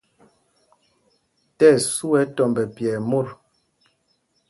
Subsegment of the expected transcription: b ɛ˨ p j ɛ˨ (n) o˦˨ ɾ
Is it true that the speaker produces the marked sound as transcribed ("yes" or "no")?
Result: no